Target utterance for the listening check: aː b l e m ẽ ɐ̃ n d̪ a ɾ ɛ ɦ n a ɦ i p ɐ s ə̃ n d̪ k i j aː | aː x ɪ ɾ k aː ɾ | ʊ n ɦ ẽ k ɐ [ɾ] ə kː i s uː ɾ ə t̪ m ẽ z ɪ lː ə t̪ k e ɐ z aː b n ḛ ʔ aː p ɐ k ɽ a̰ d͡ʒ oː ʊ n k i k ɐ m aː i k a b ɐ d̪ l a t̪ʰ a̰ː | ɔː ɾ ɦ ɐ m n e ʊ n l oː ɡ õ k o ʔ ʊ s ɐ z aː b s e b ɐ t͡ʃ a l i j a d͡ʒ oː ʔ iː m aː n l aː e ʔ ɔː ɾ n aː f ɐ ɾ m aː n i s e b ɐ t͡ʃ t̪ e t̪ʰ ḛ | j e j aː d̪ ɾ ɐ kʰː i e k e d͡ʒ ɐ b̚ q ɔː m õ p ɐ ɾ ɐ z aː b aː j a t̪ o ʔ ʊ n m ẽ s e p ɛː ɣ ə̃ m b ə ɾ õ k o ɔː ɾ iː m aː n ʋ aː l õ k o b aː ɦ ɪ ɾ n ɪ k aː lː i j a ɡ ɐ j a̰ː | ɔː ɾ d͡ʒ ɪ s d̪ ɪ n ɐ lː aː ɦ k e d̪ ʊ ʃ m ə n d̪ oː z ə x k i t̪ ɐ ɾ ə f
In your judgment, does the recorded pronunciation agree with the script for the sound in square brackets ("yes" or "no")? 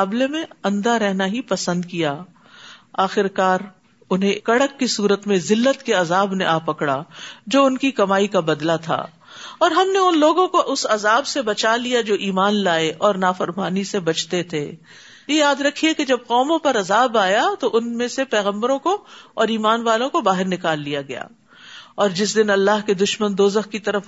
no